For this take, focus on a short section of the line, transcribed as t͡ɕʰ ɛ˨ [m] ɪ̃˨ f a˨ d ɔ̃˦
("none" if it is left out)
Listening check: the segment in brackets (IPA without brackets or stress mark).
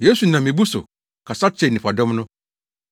n